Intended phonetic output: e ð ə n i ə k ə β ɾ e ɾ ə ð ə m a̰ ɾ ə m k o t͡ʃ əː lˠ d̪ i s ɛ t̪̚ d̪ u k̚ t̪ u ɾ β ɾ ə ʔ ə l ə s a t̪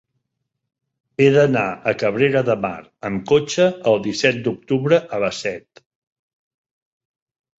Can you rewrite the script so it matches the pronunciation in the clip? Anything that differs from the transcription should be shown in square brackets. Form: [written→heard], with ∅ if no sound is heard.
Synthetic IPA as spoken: e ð ə n [i→a] ə k ə β ɾ e ɾ ə ð ə m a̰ ɾ ə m k o t͡ʃ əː lˠ d̪ i s ɛ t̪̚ d̪ u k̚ t̪ u [ɾ→∅] β ɾ ə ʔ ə l ə s [a→ɛ] t̪